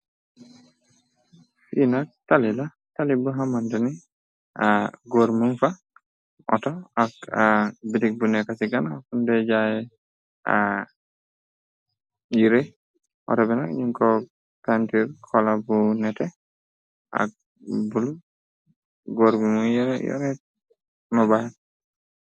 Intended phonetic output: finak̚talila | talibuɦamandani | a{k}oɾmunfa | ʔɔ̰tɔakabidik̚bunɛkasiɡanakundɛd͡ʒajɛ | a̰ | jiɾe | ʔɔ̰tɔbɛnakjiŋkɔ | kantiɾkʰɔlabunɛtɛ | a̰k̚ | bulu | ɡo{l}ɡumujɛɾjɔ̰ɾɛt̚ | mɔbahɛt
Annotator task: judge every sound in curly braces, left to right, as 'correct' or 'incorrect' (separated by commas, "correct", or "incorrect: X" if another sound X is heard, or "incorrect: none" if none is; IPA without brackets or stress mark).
incorrect: ɡ, incorrect: ɾ